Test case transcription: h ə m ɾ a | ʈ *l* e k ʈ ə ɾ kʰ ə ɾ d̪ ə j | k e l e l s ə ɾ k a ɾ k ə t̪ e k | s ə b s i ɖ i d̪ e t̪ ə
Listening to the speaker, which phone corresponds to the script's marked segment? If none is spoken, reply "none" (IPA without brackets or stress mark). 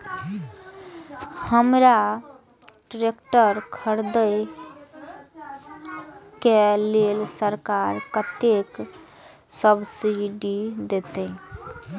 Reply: ɾ